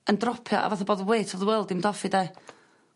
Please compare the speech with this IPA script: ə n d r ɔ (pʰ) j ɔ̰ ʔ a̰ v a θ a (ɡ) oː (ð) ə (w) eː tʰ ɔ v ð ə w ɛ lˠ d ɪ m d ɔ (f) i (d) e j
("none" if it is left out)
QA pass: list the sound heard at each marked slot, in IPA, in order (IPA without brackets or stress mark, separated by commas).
pʰ, b, ð, w, f, d